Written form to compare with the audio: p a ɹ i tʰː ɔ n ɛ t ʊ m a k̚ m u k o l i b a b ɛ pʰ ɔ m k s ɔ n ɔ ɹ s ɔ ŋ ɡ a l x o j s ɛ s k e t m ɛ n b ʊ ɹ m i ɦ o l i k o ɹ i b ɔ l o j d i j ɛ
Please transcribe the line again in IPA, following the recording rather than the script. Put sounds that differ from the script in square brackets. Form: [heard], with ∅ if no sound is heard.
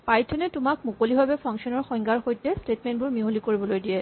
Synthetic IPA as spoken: p a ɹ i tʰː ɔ n ɛ t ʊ m a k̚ m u k o l i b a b ɛ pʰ ɔ [ŋ] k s ɔ n ɔ ɹ [x] ɔ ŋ ɡ a [ɹ] x o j [t] ɛ s [t] e t m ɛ n b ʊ ɹ m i ɦ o l i k o ɹ i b ɔ l o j d i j ɛ

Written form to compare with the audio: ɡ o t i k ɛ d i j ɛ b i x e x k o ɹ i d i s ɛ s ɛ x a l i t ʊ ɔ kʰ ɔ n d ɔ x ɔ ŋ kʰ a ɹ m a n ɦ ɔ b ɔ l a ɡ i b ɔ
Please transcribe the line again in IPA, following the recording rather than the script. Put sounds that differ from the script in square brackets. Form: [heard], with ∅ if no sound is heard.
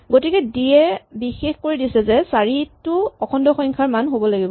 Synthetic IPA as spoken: ɡ o t i k ɛ d i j ɛ b i x e x k o ɹ i d i s ɛ [z] ɛ [s] a [ɹ] i t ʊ ɔ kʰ ɔ n d ɔ x ɔ ŋ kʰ a ɹ m a n ɦ [o] b ɔ l a ɡ i b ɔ

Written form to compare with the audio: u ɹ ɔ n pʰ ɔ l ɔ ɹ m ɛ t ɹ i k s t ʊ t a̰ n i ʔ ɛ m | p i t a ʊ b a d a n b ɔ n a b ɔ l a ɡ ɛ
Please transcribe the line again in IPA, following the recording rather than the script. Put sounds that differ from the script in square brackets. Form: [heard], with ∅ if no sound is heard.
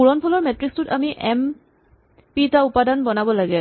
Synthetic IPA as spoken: u ɹ ɔ n pʰ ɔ l ɔ ɹ m ɛ t ɹ i k s t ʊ t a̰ [m] i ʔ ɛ m | p i t a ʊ [p] a d a n b ɔ n a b ɔ l a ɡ ɛ

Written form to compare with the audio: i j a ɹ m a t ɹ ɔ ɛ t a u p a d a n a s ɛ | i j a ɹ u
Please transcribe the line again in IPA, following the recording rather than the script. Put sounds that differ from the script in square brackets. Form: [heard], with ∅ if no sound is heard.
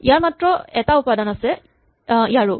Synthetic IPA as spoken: i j a ɹ m a t ɹ ɔ ɛ t a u p a d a n a s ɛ | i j a ɹ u

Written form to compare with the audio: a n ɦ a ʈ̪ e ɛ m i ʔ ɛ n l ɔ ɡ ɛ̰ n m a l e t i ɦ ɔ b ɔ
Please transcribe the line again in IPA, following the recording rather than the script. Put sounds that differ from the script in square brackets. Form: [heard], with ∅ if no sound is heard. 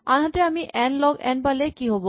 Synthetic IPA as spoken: a n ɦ a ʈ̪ e [a] m i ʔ ɛ n l ɔ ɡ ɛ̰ n [b] a l e [k] i ɦ ɔ b [o]

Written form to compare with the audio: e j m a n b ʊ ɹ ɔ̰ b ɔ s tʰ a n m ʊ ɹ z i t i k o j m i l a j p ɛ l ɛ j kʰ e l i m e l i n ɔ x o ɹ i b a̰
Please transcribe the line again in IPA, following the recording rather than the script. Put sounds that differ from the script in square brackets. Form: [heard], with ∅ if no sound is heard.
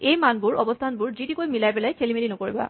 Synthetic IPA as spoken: e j m a n b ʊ ɹ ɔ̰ b ɔ s tʰ a n [b] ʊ ɹ z i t i k o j m i l a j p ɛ l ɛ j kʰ e l i m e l i n ɔ [k] o ɹ i b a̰

